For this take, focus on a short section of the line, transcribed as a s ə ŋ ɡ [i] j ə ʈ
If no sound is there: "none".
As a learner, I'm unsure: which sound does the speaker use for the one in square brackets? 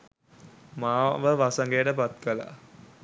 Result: e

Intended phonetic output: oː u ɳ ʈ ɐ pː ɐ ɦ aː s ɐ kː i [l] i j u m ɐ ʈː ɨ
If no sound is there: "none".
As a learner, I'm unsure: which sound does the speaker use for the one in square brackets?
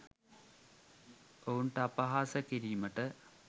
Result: ɾ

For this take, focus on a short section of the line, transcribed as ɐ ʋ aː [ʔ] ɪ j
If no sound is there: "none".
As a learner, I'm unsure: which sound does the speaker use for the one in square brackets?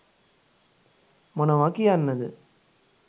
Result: k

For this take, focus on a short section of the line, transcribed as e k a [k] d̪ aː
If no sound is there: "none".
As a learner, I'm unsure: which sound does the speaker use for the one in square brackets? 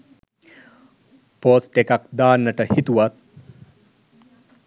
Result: k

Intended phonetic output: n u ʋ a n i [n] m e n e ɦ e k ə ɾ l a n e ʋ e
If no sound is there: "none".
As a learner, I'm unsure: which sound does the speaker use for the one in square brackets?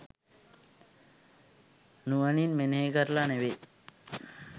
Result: n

